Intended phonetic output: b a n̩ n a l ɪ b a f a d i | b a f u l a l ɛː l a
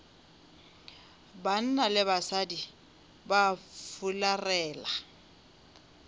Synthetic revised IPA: b a n̩ n a l ɪ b a s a d i | b a f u l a r ɛː l a